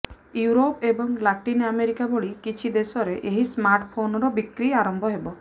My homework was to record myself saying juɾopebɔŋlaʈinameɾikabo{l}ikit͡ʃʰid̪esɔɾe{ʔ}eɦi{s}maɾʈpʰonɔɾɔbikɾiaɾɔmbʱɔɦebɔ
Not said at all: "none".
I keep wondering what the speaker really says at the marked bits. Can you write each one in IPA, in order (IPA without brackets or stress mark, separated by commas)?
ɭ, ʔ, s